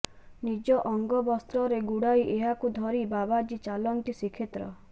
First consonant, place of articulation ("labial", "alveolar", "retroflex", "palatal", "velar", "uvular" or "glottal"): alveolar